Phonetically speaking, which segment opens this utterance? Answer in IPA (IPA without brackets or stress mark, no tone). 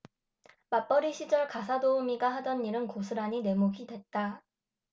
m